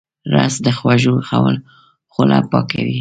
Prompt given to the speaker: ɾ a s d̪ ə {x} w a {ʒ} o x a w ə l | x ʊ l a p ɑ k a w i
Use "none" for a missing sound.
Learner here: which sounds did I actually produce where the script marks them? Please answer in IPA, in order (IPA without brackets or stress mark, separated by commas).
x, ʒ